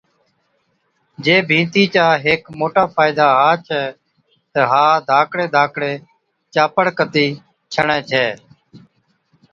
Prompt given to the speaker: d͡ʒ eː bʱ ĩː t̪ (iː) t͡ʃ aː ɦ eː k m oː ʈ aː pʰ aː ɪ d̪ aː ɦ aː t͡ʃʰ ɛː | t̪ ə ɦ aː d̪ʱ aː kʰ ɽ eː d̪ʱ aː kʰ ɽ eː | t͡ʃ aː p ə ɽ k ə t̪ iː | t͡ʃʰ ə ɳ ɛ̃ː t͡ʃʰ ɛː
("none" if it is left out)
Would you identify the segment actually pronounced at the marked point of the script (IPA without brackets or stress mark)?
iː